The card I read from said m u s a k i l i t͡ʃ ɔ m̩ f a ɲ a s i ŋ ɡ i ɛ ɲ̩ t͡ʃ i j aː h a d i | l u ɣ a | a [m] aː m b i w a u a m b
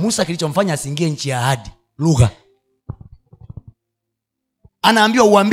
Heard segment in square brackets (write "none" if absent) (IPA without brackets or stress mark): n